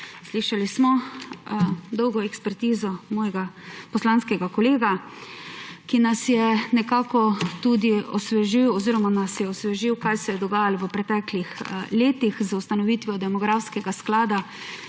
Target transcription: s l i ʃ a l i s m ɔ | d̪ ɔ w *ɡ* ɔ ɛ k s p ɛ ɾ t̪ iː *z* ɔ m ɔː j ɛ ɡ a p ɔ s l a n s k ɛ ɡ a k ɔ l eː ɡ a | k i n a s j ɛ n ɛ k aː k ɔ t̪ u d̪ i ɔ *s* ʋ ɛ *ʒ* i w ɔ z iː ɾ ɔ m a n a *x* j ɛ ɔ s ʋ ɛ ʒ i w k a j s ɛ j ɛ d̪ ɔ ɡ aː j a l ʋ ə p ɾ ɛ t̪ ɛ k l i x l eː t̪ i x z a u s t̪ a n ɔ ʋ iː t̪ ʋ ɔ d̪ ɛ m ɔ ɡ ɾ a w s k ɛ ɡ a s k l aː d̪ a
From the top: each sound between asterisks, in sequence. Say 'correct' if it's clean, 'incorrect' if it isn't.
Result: correct, correct, correct, correct, incorrect: s

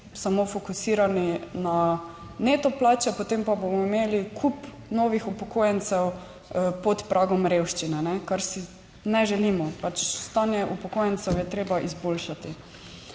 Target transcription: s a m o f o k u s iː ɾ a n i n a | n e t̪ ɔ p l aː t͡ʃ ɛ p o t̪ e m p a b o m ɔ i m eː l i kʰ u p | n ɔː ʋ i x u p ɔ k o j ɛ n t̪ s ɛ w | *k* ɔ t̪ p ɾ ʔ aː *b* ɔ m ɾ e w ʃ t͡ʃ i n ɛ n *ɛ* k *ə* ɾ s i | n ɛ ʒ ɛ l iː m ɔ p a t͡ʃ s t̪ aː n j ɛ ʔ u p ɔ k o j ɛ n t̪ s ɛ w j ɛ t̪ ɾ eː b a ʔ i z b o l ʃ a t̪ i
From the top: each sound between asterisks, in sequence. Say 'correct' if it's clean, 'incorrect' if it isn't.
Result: incorrect: p, incorrect: ɡ, correct, incorrect: a

